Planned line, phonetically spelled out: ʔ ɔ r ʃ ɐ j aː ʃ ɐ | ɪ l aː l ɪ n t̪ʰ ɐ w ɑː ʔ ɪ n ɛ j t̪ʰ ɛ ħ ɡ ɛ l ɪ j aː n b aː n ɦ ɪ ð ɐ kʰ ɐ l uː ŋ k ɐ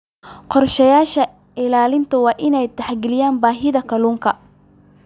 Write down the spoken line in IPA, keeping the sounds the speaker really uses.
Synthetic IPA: q ɔ r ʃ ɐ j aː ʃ ɐ | ɪ l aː l ɪ n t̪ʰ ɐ w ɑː ʔ ɪ n ɛ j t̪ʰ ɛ ħ ɡ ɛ l ɪ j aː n b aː ɦ ɪ ð ɐ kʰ ɐ l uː ŋ kʰ ɐ